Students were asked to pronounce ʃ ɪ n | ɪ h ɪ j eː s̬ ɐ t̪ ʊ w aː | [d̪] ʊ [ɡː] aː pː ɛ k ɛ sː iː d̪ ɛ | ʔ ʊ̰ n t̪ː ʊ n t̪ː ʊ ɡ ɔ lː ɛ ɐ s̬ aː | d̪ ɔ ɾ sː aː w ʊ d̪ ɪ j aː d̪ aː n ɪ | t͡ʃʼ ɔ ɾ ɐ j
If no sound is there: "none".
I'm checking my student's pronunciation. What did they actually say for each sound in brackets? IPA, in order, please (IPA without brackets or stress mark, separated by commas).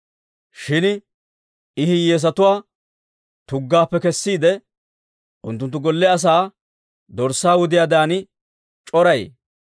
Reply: t̪, ɡː